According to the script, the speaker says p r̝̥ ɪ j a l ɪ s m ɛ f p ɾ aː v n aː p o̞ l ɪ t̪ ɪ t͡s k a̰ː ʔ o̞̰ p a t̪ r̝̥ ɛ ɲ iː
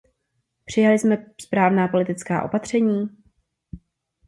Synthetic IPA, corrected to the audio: p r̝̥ ɪ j a l ɪ s m ɛ s p ɾ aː v n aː p o̞ l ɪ t̪ ɪ t͡s k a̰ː ʔ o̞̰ p a t̪ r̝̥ ɛ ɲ iː